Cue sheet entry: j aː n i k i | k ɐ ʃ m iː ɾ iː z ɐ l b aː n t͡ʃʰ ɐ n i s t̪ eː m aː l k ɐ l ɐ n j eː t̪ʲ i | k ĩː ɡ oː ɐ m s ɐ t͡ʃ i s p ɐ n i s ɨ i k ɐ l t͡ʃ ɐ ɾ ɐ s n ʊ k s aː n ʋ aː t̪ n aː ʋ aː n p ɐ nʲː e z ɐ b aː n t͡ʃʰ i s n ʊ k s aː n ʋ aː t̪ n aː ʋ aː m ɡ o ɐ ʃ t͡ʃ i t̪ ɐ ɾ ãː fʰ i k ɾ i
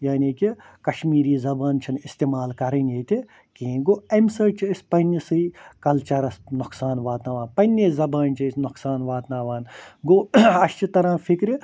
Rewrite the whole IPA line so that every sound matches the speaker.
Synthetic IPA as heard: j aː n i k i | k ɐ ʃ m iː ɾ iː z ɐ b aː n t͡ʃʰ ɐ n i s t̪ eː m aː l k ɐ ɾ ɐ n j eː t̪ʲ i | k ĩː ɡ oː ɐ m s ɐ t͡ʃ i s p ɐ n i s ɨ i k ɐ l t͡ʃ ɐ ɾ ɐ s n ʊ k s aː n ʋ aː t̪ n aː ʋ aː n p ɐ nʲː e z ɐ b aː n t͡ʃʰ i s n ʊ k s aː n ʋ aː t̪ n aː ʋ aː n ɡ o ɐ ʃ t͡ʃ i t̪ ɐ ɾ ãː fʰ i k ɾ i